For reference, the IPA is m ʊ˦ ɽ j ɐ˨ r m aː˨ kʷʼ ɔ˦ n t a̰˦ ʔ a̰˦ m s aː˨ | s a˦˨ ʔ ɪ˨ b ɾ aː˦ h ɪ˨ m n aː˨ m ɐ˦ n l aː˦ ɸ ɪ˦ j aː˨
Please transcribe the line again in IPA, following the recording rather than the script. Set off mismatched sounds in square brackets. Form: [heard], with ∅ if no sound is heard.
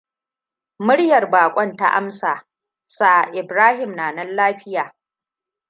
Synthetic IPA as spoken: m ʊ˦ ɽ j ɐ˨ r [b] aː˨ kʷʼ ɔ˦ n t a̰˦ ʔ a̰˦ m s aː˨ | s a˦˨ ʔ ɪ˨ b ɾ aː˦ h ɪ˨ m n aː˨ [n] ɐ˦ n l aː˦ ɸ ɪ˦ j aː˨

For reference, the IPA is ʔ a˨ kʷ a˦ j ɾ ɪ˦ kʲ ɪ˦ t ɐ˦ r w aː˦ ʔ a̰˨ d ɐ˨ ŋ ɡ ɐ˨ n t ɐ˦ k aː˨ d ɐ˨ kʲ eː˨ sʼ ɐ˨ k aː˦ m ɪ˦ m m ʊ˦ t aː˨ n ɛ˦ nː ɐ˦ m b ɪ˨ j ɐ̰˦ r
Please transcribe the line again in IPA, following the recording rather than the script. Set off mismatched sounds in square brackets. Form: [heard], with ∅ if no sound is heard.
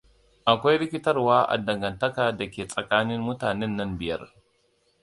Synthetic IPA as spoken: ʔ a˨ kʷ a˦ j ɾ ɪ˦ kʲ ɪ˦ t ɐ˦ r w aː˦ ʔ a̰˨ d ɐ˨ ŋ ɡ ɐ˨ n t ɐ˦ k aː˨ d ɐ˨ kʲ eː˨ sʼ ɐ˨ k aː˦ [n] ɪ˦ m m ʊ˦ t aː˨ n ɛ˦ nː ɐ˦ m b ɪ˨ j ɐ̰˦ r

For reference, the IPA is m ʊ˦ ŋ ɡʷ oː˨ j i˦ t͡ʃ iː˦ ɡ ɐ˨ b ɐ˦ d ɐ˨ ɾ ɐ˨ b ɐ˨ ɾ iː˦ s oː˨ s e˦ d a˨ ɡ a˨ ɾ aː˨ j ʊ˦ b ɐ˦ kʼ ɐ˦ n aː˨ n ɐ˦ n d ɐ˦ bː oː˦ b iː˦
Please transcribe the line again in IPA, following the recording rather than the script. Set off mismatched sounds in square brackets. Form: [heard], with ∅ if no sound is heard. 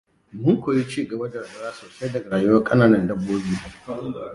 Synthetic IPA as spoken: m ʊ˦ ŋ [kʷ] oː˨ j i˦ t͡ʃ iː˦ ɡ ɐ˨ b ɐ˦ d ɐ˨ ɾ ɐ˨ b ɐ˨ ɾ [aː˦] s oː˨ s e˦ d [ɐ˨] ɡ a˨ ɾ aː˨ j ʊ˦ [w] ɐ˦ kʼ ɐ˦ n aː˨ n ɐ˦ n d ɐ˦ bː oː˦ b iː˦

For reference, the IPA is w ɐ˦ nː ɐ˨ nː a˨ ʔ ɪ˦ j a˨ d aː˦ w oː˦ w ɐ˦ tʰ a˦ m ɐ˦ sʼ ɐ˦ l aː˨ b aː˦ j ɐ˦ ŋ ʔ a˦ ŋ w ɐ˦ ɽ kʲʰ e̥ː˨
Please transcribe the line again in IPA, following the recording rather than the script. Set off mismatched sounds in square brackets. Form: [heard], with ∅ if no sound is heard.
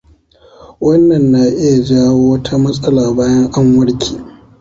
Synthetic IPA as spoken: w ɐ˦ nː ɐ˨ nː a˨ ʔ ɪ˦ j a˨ [d͡ʒ] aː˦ w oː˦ w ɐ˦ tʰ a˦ m ɐ˦ sʼ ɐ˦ l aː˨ b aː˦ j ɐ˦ ŋ ʔ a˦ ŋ w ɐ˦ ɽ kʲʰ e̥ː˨

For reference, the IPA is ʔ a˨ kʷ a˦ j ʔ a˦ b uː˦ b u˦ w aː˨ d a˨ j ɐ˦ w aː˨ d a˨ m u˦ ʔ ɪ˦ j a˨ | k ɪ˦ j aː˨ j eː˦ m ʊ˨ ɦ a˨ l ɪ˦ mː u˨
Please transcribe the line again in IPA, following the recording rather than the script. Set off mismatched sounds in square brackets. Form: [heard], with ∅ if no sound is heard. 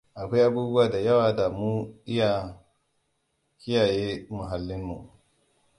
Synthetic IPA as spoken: ʔ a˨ kʷ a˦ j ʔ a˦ b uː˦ b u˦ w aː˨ d a˨ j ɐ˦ w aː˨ d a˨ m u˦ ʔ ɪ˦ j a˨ | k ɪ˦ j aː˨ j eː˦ m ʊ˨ ɦ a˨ [lː] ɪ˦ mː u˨

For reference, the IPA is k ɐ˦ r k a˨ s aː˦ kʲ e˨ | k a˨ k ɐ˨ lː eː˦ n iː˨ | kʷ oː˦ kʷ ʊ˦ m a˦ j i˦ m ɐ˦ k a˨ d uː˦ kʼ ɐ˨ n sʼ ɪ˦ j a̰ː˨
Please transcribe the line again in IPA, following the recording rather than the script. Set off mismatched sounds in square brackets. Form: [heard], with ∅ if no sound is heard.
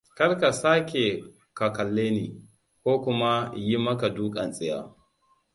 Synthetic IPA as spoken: k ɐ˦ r k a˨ s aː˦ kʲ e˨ | k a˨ k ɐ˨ lː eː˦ n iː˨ | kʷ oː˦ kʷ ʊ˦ m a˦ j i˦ m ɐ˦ k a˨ d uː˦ kʼ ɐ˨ n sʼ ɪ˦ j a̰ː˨

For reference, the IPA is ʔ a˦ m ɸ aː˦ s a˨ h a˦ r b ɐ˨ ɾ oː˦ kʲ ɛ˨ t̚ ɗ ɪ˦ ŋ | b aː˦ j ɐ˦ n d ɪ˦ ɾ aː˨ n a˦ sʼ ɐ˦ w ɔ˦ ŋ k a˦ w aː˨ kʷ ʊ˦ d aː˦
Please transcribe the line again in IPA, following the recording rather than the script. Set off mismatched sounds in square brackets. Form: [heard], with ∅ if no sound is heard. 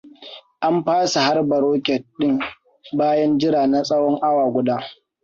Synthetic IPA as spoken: ʔ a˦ m ɸ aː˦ s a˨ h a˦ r b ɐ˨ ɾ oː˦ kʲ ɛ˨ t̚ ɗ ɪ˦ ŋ | b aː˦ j ɐ˦ n [d͡ʒ] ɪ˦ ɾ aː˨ n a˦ sʼ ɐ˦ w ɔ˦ ŋ [ʔ] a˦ w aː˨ [ɡʷ] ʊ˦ d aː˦

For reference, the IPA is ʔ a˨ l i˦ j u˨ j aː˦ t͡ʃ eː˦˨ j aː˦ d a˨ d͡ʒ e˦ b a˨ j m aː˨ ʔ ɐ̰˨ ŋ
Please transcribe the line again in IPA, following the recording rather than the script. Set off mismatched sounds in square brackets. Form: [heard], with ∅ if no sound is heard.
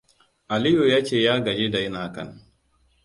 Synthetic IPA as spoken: ʔ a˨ l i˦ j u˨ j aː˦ t͡ʃ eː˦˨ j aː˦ [ɡ] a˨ d͡ʒ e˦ [d] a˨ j [n] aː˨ [k] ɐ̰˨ [n]

